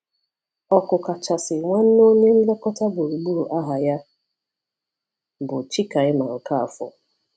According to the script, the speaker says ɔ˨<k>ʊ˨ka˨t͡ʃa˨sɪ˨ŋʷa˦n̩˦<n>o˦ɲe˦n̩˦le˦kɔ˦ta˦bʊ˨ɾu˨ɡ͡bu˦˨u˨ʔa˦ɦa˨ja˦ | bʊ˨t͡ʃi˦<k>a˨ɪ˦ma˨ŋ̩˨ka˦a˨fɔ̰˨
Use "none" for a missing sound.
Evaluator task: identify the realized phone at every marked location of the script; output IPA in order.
k, n, k

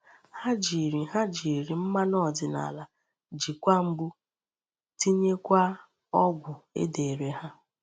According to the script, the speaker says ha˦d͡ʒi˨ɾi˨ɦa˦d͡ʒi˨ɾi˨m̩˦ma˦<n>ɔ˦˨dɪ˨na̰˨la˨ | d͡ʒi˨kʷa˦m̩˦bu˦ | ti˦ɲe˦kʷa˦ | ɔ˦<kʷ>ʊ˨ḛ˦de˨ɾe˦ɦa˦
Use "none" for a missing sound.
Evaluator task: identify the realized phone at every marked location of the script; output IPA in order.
n, ɡʷ

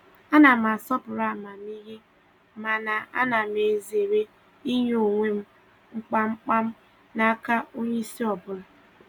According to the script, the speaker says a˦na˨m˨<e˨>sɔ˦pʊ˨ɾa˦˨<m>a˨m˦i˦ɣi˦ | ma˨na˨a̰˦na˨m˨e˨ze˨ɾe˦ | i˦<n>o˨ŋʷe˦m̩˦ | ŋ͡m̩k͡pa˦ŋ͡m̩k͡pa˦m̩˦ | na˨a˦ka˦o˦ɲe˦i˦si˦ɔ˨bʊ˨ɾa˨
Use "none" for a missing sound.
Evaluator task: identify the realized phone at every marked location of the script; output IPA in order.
a˨, m, ɲ

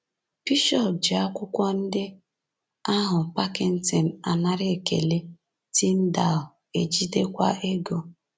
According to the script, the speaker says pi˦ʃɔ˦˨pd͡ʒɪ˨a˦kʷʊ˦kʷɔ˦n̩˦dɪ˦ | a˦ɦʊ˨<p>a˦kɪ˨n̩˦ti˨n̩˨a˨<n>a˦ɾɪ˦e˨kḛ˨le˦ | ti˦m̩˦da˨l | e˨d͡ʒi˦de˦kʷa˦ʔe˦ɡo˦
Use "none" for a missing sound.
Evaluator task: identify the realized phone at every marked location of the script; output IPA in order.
p, n

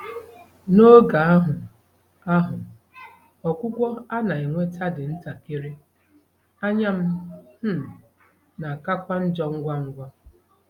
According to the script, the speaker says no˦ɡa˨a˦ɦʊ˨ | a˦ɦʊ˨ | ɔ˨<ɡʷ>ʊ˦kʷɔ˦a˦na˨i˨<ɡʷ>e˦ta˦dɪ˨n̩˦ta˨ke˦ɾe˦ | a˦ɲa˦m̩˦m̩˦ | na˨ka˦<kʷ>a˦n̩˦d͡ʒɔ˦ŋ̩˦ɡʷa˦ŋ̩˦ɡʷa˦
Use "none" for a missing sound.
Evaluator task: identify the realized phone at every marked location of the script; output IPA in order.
kʷ, ŋʷ, kʷ

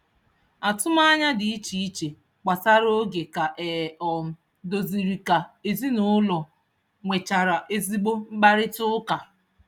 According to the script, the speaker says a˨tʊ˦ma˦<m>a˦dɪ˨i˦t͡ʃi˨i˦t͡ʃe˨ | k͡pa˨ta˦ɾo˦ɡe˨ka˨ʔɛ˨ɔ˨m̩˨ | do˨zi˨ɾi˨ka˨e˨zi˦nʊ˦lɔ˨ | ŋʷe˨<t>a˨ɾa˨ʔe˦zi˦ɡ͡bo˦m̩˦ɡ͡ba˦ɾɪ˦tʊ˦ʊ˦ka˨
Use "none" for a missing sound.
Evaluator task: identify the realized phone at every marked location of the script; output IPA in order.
ɲ, t͡ʃ

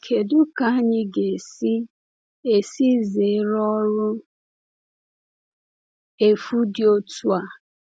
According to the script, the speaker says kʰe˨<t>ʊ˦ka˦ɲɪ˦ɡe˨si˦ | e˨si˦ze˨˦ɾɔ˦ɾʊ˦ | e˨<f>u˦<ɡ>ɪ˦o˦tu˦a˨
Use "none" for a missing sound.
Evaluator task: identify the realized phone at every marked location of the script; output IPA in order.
d, f, d

